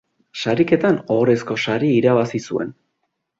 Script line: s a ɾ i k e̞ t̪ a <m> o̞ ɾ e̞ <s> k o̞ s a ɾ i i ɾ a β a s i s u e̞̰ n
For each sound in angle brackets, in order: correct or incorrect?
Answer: incorrect, correct

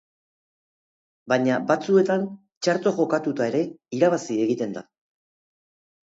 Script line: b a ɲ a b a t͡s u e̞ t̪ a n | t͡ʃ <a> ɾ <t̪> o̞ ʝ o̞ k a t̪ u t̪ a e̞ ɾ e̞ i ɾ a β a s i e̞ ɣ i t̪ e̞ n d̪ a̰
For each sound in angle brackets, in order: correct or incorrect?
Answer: correct, correct

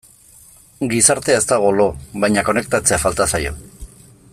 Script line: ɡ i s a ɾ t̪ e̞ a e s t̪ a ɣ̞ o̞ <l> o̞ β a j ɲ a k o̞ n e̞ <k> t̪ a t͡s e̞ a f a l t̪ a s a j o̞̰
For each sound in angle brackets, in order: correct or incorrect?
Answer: correct, correct

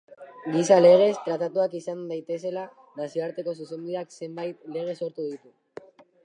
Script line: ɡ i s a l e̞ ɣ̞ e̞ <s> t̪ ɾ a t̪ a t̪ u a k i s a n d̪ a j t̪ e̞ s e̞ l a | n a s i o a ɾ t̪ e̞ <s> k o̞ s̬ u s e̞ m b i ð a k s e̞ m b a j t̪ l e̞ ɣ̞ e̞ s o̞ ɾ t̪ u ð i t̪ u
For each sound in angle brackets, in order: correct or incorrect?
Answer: correct, incorrect

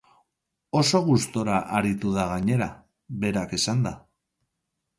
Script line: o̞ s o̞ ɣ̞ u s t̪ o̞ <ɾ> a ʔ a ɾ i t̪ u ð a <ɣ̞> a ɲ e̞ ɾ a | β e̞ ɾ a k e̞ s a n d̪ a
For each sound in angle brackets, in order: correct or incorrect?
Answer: correct, correct

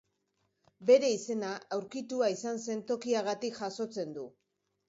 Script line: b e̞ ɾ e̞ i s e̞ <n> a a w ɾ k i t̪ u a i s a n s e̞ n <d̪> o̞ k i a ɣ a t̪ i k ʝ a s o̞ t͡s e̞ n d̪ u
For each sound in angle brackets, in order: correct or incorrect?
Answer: correct, incorrect

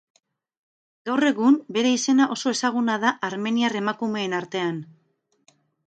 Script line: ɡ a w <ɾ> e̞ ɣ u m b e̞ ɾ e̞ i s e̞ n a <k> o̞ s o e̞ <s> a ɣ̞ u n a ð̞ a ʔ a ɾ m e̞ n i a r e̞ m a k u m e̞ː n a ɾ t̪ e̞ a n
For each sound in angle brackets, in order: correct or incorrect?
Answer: incorrect, incorrect, correct

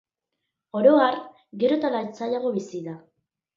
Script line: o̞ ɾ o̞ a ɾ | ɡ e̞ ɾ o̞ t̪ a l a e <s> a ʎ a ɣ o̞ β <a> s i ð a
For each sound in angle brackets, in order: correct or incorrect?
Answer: incorrect, incorrect

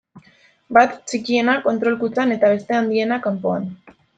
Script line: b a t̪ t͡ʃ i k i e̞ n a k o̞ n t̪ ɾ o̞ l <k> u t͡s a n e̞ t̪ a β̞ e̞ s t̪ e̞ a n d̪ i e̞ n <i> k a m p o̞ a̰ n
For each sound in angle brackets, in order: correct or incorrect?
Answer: correct, incorrect

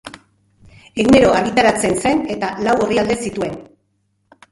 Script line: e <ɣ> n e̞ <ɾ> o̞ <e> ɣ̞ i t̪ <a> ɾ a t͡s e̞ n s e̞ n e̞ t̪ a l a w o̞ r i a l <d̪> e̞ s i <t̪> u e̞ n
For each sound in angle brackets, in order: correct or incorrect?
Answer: correct, correct, incorrect, correct, correct, correct

